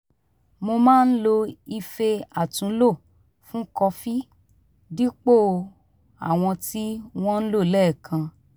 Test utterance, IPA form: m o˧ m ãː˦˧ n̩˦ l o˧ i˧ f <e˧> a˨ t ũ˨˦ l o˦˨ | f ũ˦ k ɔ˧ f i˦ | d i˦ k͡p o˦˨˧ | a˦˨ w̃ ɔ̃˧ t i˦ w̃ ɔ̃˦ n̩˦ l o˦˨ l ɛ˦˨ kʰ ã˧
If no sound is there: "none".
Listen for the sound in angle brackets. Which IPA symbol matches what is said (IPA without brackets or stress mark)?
e˧